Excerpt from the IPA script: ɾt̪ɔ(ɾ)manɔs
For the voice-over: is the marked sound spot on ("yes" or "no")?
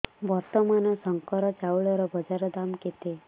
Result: no